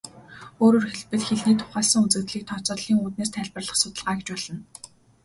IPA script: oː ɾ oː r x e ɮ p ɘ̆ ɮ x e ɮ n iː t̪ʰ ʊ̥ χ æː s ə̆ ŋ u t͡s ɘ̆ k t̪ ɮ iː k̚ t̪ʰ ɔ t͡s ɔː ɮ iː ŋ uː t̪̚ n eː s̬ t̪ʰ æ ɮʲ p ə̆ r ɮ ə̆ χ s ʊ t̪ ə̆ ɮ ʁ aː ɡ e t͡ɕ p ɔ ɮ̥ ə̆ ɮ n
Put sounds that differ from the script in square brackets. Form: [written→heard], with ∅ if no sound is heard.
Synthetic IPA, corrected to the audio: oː ɾ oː r x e ɮ p ɘ̆ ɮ x e ɮ n iː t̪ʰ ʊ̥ χ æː s ə̆ ŋ u t͡s ɘ̆ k t̪ ɮ iː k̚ t̪ʰ ɔ t͡s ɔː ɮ iː ŋ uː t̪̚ n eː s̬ t̪ʰ æ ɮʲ p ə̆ r ɮ ə̆ χ s ʊ t̪ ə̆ ɮ ʁ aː ɡ e t͡ɕ p ɔ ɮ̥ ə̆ [ɮ→∅] n